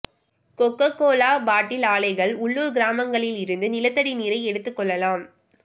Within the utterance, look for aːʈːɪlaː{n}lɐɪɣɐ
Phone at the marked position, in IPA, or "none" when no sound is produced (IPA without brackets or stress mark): none